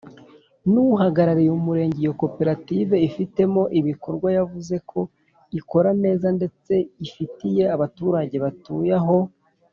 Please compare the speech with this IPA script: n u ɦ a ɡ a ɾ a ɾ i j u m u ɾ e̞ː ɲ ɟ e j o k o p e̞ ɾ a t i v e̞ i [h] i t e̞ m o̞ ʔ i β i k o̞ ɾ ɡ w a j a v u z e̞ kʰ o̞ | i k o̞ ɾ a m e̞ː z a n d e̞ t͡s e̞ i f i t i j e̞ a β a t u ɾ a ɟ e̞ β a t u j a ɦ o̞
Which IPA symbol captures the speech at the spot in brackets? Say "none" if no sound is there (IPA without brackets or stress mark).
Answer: f